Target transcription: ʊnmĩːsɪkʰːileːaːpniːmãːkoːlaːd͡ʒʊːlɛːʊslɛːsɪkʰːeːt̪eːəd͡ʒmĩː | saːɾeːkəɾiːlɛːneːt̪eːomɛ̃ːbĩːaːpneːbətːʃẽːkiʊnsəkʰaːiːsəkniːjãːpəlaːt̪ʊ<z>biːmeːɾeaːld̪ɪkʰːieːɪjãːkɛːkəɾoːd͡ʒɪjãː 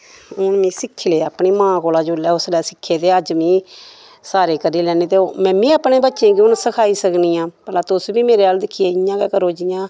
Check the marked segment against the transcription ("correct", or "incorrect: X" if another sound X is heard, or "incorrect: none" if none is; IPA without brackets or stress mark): incorrect: s